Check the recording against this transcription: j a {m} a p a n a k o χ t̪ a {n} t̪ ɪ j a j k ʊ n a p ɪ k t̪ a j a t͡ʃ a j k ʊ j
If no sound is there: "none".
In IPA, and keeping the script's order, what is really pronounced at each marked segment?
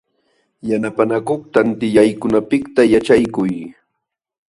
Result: n, n

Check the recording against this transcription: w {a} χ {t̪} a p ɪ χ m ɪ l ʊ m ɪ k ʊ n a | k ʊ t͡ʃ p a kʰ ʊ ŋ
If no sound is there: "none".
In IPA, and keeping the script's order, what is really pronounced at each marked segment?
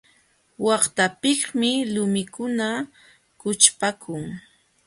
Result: ɑ, t̪

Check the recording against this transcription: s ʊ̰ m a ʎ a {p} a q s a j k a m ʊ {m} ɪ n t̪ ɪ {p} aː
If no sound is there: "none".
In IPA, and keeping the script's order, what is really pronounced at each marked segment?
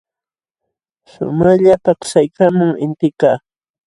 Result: p, ŋ, k

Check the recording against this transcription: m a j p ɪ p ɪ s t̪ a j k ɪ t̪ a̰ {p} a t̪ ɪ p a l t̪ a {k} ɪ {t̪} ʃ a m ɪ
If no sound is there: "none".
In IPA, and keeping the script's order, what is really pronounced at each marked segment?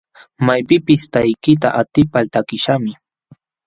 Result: ʔ, k, none

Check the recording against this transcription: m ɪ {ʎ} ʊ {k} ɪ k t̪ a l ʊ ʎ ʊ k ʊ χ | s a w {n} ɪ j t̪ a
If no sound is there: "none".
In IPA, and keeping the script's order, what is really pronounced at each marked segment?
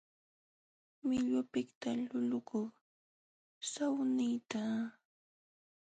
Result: ʎ, p, n

